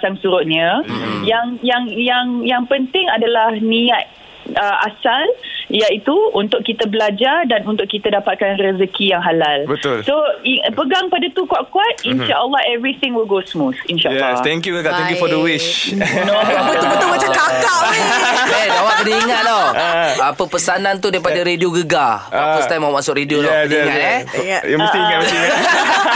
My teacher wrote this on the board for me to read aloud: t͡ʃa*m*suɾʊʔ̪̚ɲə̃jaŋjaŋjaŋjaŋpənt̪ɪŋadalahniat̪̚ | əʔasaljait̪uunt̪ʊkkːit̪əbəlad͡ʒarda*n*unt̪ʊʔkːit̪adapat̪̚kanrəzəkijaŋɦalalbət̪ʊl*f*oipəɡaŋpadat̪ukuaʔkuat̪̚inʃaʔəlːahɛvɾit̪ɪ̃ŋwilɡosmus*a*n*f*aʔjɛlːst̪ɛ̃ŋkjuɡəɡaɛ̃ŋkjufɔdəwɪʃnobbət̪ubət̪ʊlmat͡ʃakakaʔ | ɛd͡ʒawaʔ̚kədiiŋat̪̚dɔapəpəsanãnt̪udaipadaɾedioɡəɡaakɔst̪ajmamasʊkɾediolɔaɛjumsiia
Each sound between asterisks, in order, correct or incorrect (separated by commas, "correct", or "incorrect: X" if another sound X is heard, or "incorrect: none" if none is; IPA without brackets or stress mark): incorrect: ŋ, correct, incorrect: s, incorrect: i, incorrect: ʃ